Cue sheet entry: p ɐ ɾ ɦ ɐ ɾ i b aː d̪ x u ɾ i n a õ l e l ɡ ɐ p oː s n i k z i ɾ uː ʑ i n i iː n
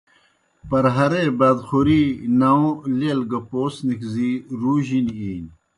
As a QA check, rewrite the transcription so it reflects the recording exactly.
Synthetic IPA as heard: p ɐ ɾ ɦ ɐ ɾ e b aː d̪ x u ɾ i n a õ l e l ɡ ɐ p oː s n i k z i ɾ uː ʑ i n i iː n